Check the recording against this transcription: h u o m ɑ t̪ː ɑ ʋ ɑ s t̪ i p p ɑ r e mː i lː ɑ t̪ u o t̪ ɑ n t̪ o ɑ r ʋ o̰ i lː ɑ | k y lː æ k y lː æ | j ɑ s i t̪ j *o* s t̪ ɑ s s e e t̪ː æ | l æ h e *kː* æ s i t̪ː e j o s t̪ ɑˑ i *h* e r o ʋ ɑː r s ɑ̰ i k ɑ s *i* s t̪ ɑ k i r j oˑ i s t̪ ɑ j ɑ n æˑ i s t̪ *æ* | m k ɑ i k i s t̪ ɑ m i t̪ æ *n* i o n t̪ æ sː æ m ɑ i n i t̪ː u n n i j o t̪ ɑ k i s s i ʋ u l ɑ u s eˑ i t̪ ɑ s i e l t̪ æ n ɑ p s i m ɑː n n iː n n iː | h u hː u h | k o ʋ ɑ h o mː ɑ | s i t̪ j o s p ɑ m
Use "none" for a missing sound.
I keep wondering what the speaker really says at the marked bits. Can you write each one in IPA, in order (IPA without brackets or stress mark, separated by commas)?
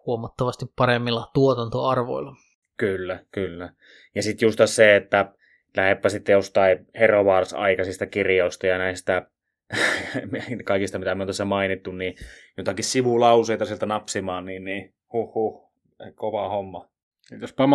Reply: u, pː, h, i, æ, m